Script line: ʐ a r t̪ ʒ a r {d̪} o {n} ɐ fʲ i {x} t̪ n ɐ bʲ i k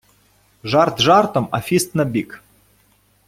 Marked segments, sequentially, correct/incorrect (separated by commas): incorrect, incorrect, incorrect